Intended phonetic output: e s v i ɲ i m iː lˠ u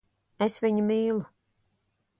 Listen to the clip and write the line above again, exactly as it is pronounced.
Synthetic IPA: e s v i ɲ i m iː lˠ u

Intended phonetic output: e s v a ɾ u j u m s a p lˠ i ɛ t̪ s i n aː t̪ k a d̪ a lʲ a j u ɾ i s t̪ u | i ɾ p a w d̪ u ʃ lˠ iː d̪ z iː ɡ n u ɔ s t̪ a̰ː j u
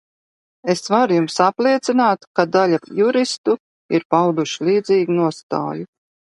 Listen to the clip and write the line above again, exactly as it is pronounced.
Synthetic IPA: e s v a ɾ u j u m s a p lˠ i ɛ t̪ s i n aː t̪ k a d̪ a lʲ a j u ɾ i s t̪ u | i ɾ p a w d̪ u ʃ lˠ iː d̪ z iː ɡ n u ɔ s t̪ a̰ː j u

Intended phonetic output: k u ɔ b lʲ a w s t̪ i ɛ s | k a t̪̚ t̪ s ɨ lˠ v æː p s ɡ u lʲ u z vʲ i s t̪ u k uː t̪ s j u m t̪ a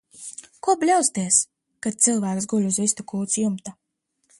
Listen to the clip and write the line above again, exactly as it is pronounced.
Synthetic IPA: k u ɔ b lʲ a w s t̪ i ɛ s | k a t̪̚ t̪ s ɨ lˠ v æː k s ɡ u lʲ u z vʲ i s t̪ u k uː t̪ s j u m t̪ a

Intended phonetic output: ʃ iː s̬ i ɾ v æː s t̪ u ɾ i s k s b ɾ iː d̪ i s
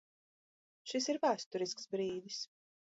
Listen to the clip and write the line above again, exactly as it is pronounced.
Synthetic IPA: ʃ i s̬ i ɾ v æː s t̪ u ɾ i s k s b ɾ iː d̪ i s

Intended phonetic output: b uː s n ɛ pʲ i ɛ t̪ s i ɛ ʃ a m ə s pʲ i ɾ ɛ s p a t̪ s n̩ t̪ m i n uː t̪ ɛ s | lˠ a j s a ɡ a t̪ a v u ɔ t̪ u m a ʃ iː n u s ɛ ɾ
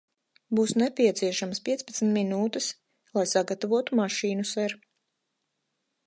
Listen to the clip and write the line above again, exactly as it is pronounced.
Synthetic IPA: b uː s n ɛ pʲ i ɛ t̪ s i ɛ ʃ a m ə s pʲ i ɛ s p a t̪ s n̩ t̪ m i n uː t̪ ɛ s | lˠ a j s a ɡ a t̪ a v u ɔ t̪ u m a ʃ iː n u s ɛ ɾ

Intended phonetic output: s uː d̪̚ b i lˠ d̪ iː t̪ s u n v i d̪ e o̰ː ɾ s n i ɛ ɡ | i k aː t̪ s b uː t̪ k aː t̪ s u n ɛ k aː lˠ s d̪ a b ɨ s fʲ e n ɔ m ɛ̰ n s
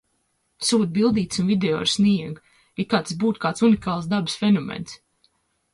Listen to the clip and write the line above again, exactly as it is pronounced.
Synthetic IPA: s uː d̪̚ b i lˠ d̪ iː t̪ s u n v i d̪ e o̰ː ɾ s n i ɛ ɡ | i k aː t̪ s b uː t̪ k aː t̪ s u n i k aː lˠ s d̪ a b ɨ s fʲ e n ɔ m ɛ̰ n s

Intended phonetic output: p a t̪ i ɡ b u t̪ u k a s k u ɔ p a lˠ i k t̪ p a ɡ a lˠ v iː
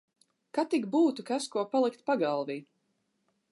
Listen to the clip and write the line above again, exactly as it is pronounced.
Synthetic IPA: k a t̪ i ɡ b uː t̪ u k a s k u ɔ p a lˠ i k t̪ p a ɡ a lˠ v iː

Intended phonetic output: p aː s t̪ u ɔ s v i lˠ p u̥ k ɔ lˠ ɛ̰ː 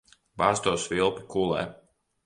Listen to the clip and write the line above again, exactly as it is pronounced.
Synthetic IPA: b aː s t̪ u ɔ s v i lˠ p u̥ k u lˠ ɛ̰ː

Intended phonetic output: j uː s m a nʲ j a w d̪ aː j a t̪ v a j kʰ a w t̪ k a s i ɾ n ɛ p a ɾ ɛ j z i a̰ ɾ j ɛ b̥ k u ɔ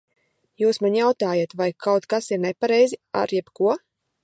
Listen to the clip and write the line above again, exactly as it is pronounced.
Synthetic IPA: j uː s m a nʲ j a w t̪ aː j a t̪ v a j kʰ a w t̪ k a s i ɾ n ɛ p a ɾ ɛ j z i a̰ ɾ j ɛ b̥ k u ɔ

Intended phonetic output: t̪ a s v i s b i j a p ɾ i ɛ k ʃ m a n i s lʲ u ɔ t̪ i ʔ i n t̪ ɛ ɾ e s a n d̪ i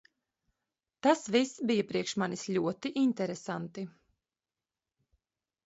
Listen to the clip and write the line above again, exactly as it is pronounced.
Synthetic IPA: t̪ a s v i s b i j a p ɾ i ɛ k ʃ m a n i s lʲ u ɔ t̪ i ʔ i n t̪ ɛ ɾ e s a n t̪ i

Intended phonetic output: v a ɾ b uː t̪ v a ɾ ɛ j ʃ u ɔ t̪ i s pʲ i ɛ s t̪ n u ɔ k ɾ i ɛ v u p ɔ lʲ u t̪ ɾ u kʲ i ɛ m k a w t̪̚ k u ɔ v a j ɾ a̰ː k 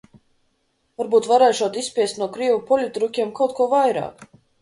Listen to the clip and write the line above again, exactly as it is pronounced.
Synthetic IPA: v a ɾ b uː t̪ v a ɾ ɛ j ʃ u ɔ t̪ i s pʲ i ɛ s t̪ n u ɔ k ɾ i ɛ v u p ɔ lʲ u t̪ ɾ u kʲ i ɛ m k a w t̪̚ k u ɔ v a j ɾ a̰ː k

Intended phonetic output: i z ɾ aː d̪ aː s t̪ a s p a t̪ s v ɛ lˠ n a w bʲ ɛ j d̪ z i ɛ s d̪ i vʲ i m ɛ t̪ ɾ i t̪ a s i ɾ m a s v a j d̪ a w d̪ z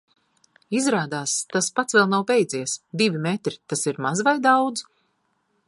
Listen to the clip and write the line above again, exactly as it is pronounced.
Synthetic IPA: i z ɾ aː d̪ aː s t̪ a s p a t̪ s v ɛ lˠ n a w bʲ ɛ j d̪ z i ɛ s d̪ i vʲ i m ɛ t̪ ɾ i t̪ a s i ɾ m a z v a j d̪ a w d̪ z

